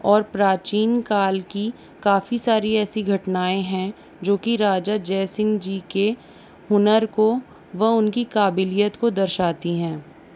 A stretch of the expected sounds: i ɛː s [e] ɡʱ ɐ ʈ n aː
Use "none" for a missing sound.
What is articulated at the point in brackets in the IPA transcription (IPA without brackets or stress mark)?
i